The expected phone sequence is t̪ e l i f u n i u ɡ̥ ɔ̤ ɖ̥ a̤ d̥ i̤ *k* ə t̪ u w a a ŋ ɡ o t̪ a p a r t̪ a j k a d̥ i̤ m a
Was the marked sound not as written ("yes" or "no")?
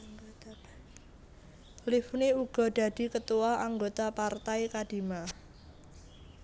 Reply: no